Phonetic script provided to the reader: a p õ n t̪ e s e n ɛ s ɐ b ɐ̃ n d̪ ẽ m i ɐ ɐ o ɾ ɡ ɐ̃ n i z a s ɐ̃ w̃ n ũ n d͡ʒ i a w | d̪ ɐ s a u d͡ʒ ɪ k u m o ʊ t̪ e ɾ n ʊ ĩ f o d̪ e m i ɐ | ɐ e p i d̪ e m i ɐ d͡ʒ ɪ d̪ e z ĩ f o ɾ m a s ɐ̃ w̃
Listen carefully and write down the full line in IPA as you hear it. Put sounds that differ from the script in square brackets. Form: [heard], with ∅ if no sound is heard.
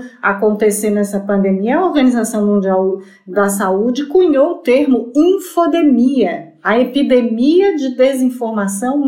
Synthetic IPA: a [k] õ n t̪ e s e n ɛ s ɐ [p] ɐ̃ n d̪ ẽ m i ɐ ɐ o ɾ ɡ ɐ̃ n i z a s ɐ̃ w̃ [m] ũ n d͡ʒ i a w | d̪ ɐ s a u d͡ʒ ɪ k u [ɲ] o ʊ t̪ e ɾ [m] ʊ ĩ f o d̪ e m i ɐ | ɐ e p i d̪ e m i ɐ d͡ʒ ɪ d̪ e z ĩ f o ɾ m a s ɐ̃ w̃